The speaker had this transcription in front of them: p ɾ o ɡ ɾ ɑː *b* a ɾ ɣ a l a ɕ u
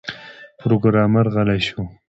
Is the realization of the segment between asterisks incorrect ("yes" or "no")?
yes